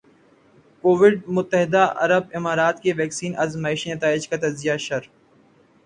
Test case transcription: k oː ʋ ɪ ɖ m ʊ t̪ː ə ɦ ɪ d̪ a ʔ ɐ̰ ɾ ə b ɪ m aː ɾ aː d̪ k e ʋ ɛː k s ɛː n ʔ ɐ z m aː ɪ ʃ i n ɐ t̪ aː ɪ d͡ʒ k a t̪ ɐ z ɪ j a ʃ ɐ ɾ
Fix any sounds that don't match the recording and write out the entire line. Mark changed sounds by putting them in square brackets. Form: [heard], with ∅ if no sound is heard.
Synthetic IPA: k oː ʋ ɪ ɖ m ʊ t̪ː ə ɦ ɪ d̪ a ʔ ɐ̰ ɾ ə b ɪ m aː ɾ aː [t̪] k e ʋ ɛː k s [iː] n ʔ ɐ z m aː ɪ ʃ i n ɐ t̪ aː ɪ d͡ʒ k a t̪ ɐ z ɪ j a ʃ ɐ ɾ